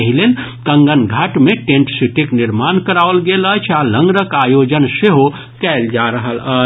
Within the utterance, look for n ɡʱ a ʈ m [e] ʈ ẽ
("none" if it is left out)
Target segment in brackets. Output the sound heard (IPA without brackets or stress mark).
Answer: e